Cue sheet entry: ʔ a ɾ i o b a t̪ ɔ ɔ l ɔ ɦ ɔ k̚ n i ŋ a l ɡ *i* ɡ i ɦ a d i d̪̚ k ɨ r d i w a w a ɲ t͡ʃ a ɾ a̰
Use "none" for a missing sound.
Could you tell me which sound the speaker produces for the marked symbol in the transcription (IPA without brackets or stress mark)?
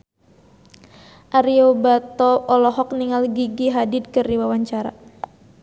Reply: i